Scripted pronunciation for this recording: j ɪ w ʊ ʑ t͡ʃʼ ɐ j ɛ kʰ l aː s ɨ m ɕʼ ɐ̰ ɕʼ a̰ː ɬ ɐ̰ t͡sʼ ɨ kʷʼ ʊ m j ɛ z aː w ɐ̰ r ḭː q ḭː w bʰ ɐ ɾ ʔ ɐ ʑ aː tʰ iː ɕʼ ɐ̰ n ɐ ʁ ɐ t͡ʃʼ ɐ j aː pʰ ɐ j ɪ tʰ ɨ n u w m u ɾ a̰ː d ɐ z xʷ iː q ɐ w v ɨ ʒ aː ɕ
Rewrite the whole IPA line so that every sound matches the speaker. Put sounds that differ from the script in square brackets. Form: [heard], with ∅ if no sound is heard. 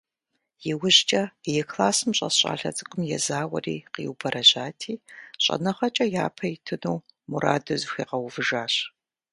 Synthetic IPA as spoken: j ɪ w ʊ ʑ t͡ʃʼ ɐ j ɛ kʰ l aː s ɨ m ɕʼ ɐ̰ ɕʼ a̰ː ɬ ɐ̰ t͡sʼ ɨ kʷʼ ʊ m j ɛ z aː w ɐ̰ r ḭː q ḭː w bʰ ɐ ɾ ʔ ɐ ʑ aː tʰ iː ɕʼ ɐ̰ n ɐ [χ] ɐ t͡ʃʼ ɐ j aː pʰ ɐ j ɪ tʰ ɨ n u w m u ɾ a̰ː d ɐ z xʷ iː q ɐ w v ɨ ʒ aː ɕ